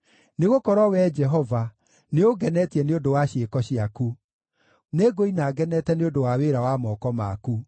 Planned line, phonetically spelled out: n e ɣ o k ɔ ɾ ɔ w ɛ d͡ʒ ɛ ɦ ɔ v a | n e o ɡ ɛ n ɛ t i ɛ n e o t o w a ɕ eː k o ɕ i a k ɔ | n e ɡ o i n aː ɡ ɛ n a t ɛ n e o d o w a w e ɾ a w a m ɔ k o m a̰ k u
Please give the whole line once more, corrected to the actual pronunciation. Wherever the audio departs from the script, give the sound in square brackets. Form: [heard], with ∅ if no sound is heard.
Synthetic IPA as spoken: n e ɣ o k ɔ ɾ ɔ w ɛ d͡ʒ ɛ ɦ ɔ v a | n e o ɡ ɛ n ɛ t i ɛ n e o [d] o w a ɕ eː k [ɔ] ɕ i a k [u] | n e ɡ o i n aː ɡ ɛ n [ɛ] t ɛ n e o d o w a w e ɾ a w a m ɔ k [ɔ] m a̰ k u

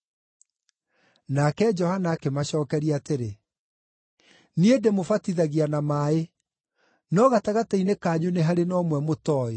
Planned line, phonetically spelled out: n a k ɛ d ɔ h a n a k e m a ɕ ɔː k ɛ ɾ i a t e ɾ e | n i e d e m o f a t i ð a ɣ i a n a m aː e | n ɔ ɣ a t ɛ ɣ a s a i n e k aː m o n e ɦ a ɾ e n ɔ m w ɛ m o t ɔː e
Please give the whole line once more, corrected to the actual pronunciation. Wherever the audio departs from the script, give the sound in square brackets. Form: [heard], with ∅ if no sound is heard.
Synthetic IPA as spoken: n a k ɛ [d͡ʒ] ɔ h a n a k e m a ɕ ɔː k ɛ ɾ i a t e ɾ e | n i e d e m o f a t i ð a ɣ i a n a m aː e | n ɔ ɣ a t [a] ɣ a [t] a i n e k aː [ɲ] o n e ɦ a ɾ e n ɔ m w ɛ m o t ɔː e

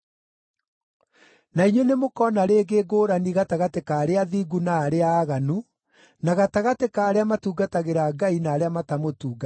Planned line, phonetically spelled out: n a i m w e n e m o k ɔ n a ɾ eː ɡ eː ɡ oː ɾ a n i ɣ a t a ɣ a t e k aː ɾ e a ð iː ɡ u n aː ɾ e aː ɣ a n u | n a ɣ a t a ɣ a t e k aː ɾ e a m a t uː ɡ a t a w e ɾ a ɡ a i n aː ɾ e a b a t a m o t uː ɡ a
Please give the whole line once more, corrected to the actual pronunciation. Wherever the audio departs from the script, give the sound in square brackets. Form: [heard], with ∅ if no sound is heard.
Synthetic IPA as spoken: n a i [ɲ] w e n e m o k ɔ n a ɾ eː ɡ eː ɡ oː ɾ a n i ɣ a t a ɣ a t e k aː ɾ e a ð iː ɡ u n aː ɾ e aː ɣ a n u | n a ɣ a t a ɣ a t e k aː ɾ e a m a t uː ɡ a t a [ɣ] e ɾ a ɡ a i n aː ɾ e a [m] a t a m o t uː ɡ a

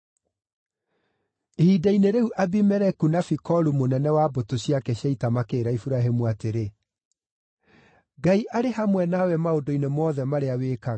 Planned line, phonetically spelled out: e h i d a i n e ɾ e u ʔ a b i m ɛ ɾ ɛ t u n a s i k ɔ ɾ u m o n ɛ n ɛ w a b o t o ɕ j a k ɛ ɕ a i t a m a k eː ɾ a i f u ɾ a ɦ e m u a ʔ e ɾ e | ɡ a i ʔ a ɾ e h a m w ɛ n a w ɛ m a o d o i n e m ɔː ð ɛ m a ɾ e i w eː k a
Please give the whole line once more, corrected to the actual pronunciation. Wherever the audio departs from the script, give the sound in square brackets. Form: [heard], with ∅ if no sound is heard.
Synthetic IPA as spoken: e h i d a i n e ɾ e u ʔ a b i m ɛ ɾ ɛ [k] u n a [f] i k ɔ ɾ u m o n ɛ n ɛ w a b o t o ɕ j a k ɛ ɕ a i t a m a k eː ɾ a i f u ɾ a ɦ e m u a [t] e ɾ e | ɡ a i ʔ a ɾ e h a m w ɛ n a w ɛ m a o d o i n e m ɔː ð ɛ m a ɾ e [a] w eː k a

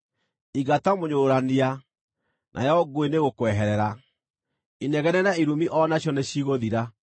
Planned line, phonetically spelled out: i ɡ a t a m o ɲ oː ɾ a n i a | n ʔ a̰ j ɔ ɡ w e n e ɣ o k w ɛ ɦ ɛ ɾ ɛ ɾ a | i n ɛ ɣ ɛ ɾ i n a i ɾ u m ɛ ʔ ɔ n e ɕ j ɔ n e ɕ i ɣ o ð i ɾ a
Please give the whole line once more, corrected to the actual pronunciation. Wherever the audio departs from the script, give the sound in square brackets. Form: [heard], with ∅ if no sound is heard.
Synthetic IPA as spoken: i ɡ a t a m o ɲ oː ɾ a n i a | n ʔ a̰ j ɔ ɡ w e n e ɣ o k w ɛ ɦ ɛ ɾ ɛ ɾ a | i n ɛ ɣ ɛ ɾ [ɛ] n a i ɾ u m [i] ʔ ɔ n [a] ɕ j ɔ n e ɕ i ɣ o ð i ɾ a

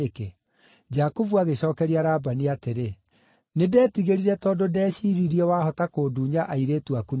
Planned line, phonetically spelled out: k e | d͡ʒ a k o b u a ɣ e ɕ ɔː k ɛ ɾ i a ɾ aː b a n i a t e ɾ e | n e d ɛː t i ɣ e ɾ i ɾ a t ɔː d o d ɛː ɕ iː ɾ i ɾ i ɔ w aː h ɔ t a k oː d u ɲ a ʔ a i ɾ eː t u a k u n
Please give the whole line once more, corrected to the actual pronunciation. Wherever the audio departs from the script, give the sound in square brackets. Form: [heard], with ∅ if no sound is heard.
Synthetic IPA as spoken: k e | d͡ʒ a k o [v] u a ɣ e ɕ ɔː k ɛ ɾ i a ɾ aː b a n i a t e ɾ e | n e d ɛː t i ɣ e ɾ i ɾ [ɛ] t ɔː d o d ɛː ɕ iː ɾ i ɾ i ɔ w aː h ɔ t a k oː d u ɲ a ʔ a i ɾ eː t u a k u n

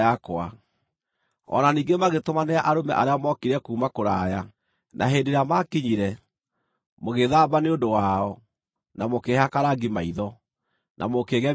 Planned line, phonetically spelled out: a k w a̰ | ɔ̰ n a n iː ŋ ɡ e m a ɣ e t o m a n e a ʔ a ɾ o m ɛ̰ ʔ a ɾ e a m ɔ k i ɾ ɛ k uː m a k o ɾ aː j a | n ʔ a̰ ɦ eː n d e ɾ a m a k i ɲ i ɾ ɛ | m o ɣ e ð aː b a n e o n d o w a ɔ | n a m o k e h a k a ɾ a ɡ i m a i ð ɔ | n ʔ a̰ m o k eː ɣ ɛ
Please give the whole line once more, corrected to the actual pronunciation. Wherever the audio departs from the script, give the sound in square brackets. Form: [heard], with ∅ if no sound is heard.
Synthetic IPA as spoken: a k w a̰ | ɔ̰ n a n iː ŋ ɡ e m a ɣ e t o m a n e a ʔ a ɾ o m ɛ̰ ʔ a ɾ e a m ɔ k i ɾ ɛ k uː m a k o ɾ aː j a | n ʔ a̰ ɦ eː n d e ɾ a m a k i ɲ i ɾ ɛ | m o ɣ e ð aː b a n e o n d o w a ɔ | n a m o k e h a k a ɾ a ɡ i m a i ð ɔ | n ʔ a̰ m o k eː ɣ ɛ

